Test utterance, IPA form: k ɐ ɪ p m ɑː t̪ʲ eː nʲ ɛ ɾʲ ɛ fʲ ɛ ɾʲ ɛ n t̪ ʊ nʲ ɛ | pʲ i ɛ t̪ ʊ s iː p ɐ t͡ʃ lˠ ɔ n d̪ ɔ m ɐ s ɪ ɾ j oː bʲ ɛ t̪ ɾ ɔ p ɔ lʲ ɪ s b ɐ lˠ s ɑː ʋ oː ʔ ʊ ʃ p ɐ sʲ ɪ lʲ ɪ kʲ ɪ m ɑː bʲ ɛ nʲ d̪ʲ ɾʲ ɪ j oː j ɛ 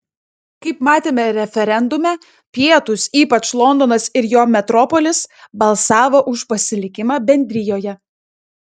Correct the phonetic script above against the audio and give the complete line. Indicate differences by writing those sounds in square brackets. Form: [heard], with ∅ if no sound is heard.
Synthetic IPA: k ɐ ɪ p m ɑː t̪ʲ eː [mʲ] ɛ ɾʲ ɛ fʲ ɛ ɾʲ ɛ n [d̪] ʊ [mʲ] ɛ | pʲ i ɛ t̪ ʊ s iː p ɐ t͡ʃ lˠ ɔ n d̪ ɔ [n] ɐ s ɪ ɾ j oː [mʲ] ɛ t̪ ɾ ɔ p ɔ lʲ ɪ s b ɐ lˠ s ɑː ʋ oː ʔ ʊ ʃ p ɐ sʲ ɪ lʲ ɪ kʲ ɪ m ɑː bʲ ɛ nʲ d̪ʲ ɾʲ ɪ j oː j ɛ

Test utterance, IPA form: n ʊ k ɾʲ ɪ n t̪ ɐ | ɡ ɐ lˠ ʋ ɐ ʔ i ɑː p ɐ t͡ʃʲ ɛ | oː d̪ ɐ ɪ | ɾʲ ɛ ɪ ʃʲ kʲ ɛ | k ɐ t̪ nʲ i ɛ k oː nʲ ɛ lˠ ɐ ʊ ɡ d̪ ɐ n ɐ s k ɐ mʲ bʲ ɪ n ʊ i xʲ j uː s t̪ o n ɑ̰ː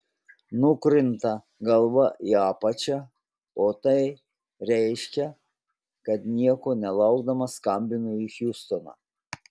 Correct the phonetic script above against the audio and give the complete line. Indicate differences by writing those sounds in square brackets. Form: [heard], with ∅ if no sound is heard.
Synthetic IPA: n ʊ k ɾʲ ɪ n t̪ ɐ | ɡ ɐ lˠ ʋ ɐ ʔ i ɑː p ɐ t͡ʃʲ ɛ | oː [t̪] ɐ ɪ | ɾʲ ɛ ɪ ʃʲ kʲ ɛ | k ɐ t̪ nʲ i ɛ k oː nʲ ɛ lˠ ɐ ʊ ɡ d̪ ɐ [m] ɐ s k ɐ mʲ bʲ ɪ n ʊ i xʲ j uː s t̪ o n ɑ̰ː

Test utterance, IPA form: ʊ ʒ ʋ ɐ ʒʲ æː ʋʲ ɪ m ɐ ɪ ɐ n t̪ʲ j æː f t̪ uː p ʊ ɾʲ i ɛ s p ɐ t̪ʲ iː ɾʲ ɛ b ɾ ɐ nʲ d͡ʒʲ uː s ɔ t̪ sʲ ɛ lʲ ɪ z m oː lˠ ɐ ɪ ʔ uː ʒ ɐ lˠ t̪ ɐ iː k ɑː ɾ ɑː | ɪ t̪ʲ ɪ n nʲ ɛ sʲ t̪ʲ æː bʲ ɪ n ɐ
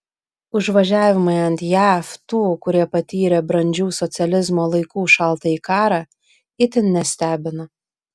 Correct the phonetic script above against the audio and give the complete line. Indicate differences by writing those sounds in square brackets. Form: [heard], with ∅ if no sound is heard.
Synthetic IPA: ʊ ʒ ʋ ɐ ʒʲ æː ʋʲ ɪ m ɐ ɪ ɐ n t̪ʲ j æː f t̪ uː [k] ʊ ɾʲ i ɛ [∅] p ɐ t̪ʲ iː ɾʲ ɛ b ɾ ɐ nʲ d͡ʒʲ uː s ɔ t̪ sʲ ɛ lʲ ɪ z m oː lˠ ɐ ɪ [k] uː [ʃ] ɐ lˠ t̪ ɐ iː k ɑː ɾ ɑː | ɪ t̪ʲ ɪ n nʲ ɛ sʲ t̪ʲ æː bʲ ɪ n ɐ

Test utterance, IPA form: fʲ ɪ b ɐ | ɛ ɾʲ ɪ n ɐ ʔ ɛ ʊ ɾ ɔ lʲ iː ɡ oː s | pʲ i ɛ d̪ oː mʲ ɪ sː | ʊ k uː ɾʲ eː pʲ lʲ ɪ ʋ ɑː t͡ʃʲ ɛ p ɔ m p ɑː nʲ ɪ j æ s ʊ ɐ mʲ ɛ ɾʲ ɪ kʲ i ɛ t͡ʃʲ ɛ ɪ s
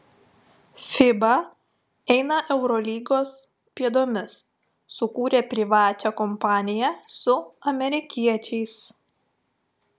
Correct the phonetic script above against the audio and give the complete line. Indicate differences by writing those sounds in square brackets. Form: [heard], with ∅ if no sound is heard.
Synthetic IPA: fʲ ɪ b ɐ | ɛ [∅] ɪ n ɐ ʔ ɛ ʊ ɾ ɔ lʲ iː ɡ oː s | pʲ i ɛ d̪ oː mʲ ɪ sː | ʊ k uː ɾʲ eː pʲ [ɾʲ] ɪ ʋ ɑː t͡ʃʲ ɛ [k] ɔ m p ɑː nʲ ɪ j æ s ʊ ɐ mʲ ɛ ɾʲ ɪ kʲ i ɛ t͡ʃʲ ɛ ɪ s

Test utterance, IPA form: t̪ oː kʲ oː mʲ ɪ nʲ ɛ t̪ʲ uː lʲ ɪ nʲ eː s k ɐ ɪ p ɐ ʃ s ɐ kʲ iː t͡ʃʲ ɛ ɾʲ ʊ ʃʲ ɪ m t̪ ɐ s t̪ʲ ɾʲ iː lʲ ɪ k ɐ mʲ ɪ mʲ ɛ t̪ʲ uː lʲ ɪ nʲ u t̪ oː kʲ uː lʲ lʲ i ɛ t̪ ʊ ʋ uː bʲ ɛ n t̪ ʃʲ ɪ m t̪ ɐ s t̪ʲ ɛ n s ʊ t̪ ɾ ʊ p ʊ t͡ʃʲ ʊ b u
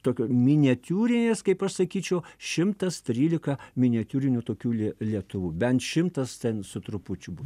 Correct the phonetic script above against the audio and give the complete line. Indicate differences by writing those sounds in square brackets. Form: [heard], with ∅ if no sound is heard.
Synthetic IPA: t̪ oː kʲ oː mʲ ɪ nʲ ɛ t̪ʲ uː [ɾʲ] ɪ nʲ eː s k ɐ ɪ p ɐ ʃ s ɐ kʲ iː t͡ʃʲ ɛ [∅] ʊ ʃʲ ɪ m t̪ ɐ s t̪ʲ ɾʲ iː lʲ ɪ k ɐ mʲ ɪ [nʲ] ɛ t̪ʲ uː [ɾʲ] ɪ nʲ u t̪ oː kʲ uː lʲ lʲ i ɛ t̪ ʊ ʋ uː bʲ ɛ n t̪ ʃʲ ɪ m t̪ ɐ s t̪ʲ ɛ n s ʊ t̪ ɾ ʊ p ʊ t͡ʃʲ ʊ b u

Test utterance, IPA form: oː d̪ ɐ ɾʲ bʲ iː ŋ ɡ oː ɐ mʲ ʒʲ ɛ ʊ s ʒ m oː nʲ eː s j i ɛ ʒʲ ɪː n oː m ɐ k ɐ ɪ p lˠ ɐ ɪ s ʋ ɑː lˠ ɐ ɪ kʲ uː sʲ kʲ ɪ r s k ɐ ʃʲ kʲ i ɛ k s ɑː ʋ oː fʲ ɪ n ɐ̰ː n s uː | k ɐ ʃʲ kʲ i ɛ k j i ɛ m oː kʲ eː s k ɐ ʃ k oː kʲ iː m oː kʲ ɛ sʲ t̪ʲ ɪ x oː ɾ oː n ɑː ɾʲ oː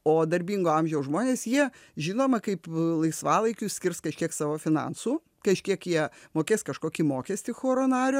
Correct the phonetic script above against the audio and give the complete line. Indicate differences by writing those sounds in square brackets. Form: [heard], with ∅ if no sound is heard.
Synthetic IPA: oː d̪ ɐ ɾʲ bʲ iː ŋ ɡ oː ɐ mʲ ʒʲ ɛ ʊ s ʒ m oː nʲ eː s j i ɛ ʒʲ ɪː n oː m ɐ k ɐ ɪ p lˠ ɐ ɪ s ʋ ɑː lˠ ɐ ɪ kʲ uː sʲ kʲ ɪ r s k ɐ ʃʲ kʲ i ɛ k s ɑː ʋ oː fʲ ɪ n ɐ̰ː n s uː | k ɐ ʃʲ kʲ i ɛ k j i ɛ m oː kʲ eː s k ɐ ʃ k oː kʲ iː m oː kʲ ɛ sʲ t̪ʲ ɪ x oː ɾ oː n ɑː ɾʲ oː

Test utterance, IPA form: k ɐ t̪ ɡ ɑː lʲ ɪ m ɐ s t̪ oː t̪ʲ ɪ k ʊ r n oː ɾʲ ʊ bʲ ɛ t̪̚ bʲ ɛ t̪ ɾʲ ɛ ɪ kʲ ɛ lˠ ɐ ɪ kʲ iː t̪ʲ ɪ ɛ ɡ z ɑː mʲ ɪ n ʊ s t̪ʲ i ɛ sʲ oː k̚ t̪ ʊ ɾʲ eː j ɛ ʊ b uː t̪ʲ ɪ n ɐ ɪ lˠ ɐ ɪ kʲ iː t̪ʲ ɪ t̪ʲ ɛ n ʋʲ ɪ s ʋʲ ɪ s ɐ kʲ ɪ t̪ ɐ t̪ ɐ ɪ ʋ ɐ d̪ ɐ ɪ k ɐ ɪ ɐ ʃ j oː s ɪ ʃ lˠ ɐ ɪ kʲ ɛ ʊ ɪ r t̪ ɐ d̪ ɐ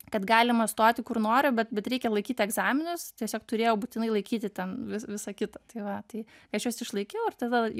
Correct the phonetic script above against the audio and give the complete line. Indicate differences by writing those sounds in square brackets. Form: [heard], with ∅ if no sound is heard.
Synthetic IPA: k ɐ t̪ ɡ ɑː lʲ ɪ m ɐ s t̪ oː t̪ʲ ɪ k ʊ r n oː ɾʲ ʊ bʲ ɛ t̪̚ bʲ ɛ t̪ ɾʲ ɛ ɪ kʲ ɛ lˠ ɐ ɪ kʲ iː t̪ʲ ɪ ɛ ɡ z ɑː mʲ ɪ n ʊ s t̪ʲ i ɛ sʲ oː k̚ t̪ ʊ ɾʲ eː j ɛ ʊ b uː t̪ʲ ɪ n ɐ ɪ lˠ ɐ ɪ kʲ iː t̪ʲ ɪ t̪ʲ ɛ n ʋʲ ɪ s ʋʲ ɪ s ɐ kʲ ɪ t̪ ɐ t̪ ɐ ɪ ʋ ɐ [t̪] ɐ ɪ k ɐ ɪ ɐ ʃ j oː s ɪ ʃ lˠ ɐ ɪ kʲ ɛ ʊ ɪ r t̪ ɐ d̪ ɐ

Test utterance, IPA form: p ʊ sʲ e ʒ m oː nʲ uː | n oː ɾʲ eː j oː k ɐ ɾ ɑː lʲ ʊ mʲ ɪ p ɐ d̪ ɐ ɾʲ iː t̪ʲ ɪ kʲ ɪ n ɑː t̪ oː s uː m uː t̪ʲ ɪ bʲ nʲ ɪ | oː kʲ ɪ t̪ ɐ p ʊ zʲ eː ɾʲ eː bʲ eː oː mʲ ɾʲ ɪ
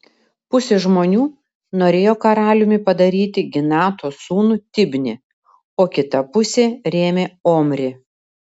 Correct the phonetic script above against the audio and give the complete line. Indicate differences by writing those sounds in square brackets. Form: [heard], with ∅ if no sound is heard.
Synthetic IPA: p ʊ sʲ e ʒ m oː nʲ uː | n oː ɾʲ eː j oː k ɐ ɾ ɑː lʲ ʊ mʲ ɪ p ɐ d̪ ɐ ɾʲ iː t̪ʲ ɪ [ɡʲ] ɪ n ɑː t̪ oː s uː [n] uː t̪ʲ ɪ bʲ nʲ ɪ | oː kʲ ɪ t̪ ɐ p ʊ [sʲ] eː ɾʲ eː [mʲ] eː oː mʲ ɾʲ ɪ

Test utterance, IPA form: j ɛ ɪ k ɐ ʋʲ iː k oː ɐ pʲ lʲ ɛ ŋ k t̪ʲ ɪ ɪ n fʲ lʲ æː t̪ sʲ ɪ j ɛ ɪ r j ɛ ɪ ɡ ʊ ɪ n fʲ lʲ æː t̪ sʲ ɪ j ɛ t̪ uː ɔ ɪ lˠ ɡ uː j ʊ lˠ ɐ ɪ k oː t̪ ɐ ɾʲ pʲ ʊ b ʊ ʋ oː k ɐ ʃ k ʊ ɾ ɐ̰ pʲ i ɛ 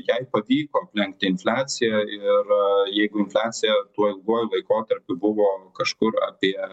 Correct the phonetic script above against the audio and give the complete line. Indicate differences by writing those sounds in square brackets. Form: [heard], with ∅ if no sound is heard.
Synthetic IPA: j ɛ ɪ [p] ɐ ʋʲ iː k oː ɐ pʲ lʲ ɛ ŋ k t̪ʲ ɪ ɪ n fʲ lʲ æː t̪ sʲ ɪ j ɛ ɪ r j ɛ ɪ ɡ ʊ ɪ n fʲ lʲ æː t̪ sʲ ɪ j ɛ t̪ [u] ɔ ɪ lˠ ɡ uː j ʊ lˠ ɐ ɪ k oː t̪ ɐ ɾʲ pʲ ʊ b ʊ ʋ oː k ɐ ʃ k ʊ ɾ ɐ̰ pʲ i ɛ

